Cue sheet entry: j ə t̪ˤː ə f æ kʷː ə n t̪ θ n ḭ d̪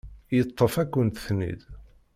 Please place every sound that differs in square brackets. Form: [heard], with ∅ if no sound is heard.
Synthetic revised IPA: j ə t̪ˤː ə f æ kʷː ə n t̪ θ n ḭ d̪